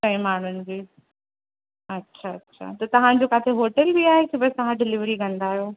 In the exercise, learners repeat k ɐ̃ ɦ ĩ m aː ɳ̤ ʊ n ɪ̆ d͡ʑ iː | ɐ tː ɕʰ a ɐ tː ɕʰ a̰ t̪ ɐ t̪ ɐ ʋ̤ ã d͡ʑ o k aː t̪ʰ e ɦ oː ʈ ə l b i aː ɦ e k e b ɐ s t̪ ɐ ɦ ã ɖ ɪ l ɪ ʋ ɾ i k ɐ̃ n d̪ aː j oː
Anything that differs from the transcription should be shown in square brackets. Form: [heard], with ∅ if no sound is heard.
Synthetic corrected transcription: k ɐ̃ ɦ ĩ m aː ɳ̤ ʊ n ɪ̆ d͡ʑ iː | ɐ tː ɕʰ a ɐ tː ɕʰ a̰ t̪ ɐ t̪ ɐ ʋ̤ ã d͡ʑ o k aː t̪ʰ e ɦ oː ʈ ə l b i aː ɦ e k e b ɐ s t̪ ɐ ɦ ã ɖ ɪ l ɪ ʋ ɾ i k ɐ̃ n d̪ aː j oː

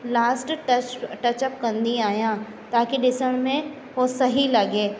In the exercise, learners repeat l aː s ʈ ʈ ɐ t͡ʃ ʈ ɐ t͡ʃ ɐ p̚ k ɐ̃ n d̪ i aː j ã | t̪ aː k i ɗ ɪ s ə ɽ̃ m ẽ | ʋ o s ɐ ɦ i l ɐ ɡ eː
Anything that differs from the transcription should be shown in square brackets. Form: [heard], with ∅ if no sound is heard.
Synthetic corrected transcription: l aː s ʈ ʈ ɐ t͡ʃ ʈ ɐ t͡ʃ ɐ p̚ k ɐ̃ n d̪ i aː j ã | t̪ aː k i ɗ ɪ s ə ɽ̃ m ẽ | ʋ o s ɐ ɦ i l ɐ ɡ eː

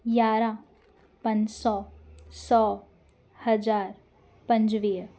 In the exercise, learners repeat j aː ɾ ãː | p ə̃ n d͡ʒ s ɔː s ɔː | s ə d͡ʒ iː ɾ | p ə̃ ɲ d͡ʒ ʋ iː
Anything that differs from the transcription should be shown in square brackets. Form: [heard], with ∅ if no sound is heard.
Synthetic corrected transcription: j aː ɾ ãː | p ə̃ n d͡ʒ s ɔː s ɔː | [h] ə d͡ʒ [aː] ɾ | p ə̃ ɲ d͡ʒ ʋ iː

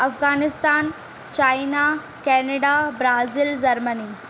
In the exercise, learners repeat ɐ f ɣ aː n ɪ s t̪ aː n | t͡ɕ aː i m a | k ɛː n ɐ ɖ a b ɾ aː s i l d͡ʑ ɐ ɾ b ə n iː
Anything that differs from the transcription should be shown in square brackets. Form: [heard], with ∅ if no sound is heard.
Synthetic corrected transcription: ɐ f ɣ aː n ɪ s t̪ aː n | t͡ɕ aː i [n] a | k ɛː n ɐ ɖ a b ɾ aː [z] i l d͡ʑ ɐ ɾ [m] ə n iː

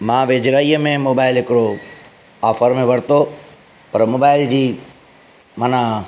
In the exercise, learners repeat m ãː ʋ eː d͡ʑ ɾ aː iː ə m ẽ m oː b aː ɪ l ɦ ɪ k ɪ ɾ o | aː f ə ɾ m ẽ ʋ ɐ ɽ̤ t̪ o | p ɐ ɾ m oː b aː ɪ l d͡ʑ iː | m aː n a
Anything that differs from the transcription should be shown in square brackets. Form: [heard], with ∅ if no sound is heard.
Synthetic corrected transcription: m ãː ʋ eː d͡ʑ ɾ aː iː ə m ẽ m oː b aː ɪ l ɦ ɪ k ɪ ɾ o | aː f ə ɾ m ẽ ʋ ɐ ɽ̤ t̪ o | p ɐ ɾ m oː b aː ɪ l d͡ʑ iː | m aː n a

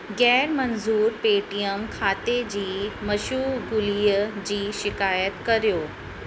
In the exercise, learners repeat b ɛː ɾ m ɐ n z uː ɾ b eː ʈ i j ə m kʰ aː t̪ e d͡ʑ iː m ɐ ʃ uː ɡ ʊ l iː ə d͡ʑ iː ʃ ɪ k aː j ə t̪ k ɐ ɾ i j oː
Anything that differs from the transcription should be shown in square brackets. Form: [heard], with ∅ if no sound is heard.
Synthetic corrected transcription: [ɡ] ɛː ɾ m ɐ n z uː ɾ [p] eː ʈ i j ə m kʰ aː t̪ e d͡ʑ iː m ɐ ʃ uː ɡ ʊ l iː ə d͡ʑ iː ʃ ɪ k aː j ə t̪ k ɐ ɾ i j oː

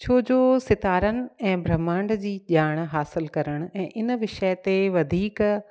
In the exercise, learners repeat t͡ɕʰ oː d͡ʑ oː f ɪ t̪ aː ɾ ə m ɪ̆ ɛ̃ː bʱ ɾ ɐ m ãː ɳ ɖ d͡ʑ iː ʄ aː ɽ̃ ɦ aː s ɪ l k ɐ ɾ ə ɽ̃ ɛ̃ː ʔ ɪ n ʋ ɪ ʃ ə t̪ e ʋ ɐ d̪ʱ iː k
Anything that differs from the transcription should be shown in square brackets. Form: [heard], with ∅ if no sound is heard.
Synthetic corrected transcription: t͡ɕʰ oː d͡ʑ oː [s] ɪ t̪ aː ɾ ə [n] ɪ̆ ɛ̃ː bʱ ɾ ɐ m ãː ɳ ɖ d͡ʑ iː ʄ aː ɽ̃ ɦ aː s ɪ l k ɐ ɾ ə ɽ̃ ɛ̃ː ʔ ɪ n ʋ ɪ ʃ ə t̪ e ʋ ɐ d̪ʱ iː k

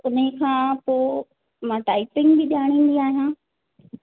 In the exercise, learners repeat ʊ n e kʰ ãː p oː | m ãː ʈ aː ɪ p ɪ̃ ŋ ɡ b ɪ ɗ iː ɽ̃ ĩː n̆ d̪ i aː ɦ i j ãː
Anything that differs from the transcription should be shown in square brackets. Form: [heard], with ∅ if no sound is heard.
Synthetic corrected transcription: ʊ n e kʰ ãː p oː | m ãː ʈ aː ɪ p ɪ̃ ŋ ɡ b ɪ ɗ [aː] ɽ̃ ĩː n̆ d̪ i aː ɦ i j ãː

